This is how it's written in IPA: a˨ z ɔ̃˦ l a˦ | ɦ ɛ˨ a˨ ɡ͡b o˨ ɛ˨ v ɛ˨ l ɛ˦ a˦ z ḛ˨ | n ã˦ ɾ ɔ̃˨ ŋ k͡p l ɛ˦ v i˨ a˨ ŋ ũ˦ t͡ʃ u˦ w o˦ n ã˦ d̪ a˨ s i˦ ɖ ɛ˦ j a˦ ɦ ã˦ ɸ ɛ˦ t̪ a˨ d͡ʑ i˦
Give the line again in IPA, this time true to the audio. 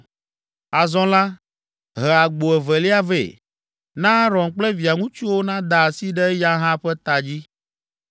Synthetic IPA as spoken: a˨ z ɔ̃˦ l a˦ | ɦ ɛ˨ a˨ ɡ͡b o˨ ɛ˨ v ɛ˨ l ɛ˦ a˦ v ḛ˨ | n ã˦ ɾ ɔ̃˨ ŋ k͡p l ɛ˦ v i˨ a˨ ŋ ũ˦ t͡ʃ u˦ w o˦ n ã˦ d̪ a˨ s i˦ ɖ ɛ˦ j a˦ ɦ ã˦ ɸ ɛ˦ t̪ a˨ d͡ʑ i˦

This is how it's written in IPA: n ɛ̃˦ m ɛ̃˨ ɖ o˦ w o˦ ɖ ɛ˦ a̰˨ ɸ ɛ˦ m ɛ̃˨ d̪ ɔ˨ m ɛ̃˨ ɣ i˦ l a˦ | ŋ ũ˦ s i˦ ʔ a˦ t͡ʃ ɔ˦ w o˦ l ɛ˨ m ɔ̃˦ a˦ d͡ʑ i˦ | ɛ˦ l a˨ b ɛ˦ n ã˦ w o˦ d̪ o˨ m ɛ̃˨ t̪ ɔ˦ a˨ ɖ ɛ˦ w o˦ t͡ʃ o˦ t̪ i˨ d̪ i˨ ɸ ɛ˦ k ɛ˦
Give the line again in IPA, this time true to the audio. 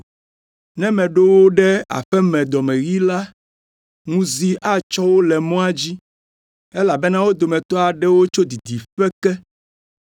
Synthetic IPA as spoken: n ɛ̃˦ m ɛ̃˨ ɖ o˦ w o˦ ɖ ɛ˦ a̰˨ ɸ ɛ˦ m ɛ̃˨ d̪ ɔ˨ m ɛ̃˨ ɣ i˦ l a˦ | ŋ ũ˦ z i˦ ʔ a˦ t͡ʃ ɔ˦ w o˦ l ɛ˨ m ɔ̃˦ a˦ d͡ʑ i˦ | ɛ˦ l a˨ b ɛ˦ n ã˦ w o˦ d̪ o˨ m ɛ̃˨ t̪ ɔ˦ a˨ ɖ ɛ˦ w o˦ t͡ʃ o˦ d̪ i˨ d̪ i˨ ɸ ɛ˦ k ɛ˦

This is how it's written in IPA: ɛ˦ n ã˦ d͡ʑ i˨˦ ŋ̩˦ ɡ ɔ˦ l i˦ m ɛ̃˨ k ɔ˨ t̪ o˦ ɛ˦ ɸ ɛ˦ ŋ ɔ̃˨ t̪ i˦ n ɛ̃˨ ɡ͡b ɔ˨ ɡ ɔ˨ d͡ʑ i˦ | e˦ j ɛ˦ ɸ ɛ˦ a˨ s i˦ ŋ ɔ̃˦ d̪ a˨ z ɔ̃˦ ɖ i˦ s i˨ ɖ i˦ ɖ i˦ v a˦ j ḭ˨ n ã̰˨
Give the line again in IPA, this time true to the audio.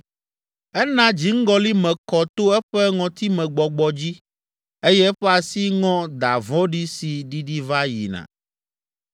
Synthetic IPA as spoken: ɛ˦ n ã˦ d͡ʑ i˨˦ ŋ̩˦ ɡ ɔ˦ l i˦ m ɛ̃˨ k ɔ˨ t̪ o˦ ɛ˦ ɸ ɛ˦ ŋ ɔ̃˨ t̪ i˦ m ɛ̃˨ ɡ͡b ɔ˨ ɡ͡b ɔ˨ d͡ʑ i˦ | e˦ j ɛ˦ ɸ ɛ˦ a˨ s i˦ ŋ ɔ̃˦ d̪ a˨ v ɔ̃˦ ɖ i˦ s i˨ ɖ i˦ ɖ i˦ v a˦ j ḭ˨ n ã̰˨

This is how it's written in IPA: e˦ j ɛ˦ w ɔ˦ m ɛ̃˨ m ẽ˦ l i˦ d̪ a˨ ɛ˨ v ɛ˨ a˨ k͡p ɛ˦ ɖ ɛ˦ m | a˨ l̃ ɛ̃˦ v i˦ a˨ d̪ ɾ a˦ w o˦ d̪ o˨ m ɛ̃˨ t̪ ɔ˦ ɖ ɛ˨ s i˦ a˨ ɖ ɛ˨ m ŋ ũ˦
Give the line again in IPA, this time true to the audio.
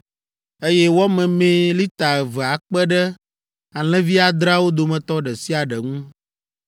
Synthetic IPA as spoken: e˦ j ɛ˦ w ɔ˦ m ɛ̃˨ m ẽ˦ l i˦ t̪ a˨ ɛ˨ v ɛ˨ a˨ k͡p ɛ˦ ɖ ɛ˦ | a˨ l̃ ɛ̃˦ v i˦ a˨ d̪ ɾ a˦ w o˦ d̪ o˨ m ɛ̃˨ t̪ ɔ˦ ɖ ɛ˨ s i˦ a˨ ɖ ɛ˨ ŋ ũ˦

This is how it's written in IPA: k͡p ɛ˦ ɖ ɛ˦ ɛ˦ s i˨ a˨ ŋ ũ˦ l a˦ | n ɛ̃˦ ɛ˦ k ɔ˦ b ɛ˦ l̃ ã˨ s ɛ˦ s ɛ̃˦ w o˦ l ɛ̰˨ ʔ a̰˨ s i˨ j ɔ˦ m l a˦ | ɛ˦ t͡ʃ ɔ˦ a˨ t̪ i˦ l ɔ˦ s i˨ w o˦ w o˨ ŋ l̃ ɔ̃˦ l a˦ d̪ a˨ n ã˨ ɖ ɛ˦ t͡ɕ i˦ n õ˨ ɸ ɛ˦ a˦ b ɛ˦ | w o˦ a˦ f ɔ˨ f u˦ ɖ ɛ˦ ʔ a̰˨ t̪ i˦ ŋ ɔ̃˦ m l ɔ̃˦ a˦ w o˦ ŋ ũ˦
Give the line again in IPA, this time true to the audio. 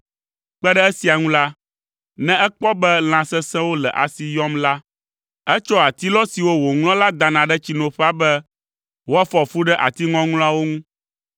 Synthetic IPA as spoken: k͡p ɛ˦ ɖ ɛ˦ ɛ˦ s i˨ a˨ ŋ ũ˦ l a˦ | n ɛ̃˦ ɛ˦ k͡p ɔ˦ b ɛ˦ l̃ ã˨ s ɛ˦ s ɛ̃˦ w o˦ l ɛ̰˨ ʔ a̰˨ s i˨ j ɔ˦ m l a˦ | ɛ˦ t͡ʃ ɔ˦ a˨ t̪ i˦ l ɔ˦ s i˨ w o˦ w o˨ ŋ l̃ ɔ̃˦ l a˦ d̪ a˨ n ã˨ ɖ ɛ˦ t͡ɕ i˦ n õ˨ ɸ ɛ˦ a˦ b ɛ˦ | w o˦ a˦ f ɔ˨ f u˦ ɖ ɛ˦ ʔ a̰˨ t̪ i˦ ŋ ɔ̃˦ ŋ l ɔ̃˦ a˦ w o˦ ŋ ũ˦

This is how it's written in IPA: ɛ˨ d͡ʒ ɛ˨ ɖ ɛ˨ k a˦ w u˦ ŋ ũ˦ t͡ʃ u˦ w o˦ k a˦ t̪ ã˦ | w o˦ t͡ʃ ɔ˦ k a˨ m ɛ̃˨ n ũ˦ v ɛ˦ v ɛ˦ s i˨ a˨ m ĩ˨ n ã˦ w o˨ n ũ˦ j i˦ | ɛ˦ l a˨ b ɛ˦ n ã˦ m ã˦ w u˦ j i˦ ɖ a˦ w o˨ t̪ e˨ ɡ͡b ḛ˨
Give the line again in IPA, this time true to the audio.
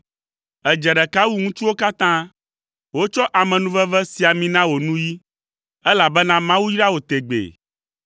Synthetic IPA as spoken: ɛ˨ d͡ʒ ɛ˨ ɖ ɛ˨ k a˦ w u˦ ŋ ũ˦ t͡ʃ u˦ w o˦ k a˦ t̪ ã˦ | w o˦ t͡ʃ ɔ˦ ʔ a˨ m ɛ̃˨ n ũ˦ v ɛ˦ v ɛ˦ s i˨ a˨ m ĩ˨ n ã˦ w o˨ n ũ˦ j i˦ | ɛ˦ l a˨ b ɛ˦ n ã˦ m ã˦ w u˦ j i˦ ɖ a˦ w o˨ t̪ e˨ ɡ͡b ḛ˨

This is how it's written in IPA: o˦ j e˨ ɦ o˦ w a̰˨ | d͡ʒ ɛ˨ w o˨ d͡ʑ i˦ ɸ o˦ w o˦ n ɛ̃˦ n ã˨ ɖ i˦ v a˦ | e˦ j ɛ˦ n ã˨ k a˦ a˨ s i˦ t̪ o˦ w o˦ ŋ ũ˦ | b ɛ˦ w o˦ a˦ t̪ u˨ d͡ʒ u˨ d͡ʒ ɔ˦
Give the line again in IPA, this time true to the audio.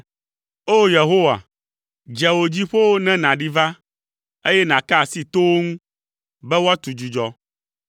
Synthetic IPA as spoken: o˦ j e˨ ɦ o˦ w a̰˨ | d͡ʒ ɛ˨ w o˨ d͡ʑ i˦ ɸ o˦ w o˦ n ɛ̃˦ n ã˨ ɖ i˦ v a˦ | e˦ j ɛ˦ n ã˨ k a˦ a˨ s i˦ t̪ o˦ w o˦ ŋ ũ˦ | b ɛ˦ w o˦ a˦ t̪ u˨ d͡ʒ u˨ d͡ʒ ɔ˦

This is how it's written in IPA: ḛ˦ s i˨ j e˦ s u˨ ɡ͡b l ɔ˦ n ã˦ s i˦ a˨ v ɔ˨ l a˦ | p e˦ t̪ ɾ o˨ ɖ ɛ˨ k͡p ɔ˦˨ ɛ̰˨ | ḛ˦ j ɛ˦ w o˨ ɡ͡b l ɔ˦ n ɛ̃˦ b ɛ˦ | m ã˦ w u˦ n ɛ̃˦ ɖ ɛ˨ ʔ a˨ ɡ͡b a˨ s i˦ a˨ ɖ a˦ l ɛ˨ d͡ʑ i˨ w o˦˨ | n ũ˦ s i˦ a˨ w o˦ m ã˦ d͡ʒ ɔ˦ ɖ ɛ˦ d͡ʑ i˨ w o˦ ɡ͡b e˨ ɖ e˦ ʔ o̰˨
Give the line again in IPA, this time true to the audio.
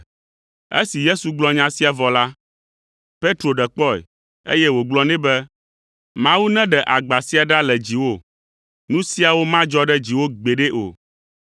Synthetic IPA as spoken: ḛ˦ s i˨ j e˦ s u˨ ɡ͡b l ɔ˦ ɲ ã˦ s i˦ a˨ v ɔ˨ l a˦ | p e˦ t̪ ɾ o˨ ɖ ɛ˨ k͡p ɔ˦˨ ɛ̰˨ | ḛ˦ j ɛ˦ w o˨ ɡ͡b l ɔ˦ n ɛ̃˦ b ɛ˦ | m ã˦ w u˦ n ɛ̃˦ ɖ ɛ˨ ʔ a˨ ɡ͡b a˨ s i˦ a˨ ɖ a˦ l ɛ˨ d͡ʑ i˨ w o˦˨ | n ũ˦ s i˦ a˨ w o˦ m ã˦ d͡ʒ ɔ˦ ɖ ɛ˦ d͡ʑ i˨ w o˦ ɡ͡b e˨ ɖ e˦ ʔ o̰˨

